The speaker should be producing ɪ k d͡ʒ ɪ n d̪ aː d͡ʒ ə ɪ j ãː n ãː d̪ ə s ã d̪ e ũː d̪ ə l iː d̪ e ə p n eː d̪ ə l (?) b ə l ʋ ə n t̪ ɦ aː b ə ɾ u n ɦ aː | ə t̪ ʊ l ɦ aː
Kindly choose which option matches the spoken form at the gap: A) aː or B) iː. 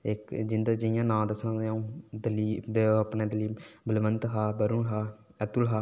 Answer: B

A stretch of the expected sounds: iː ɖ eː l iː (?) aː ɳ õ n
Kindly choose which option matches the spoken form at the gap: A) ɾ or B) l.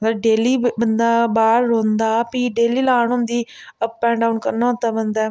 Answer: B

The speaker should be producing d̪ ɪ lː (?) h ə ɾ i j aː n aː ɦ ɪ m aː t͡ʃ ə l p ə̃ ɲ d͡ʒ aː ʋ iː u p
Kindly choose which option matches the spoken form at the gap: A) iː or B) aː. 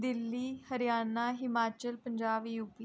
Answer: A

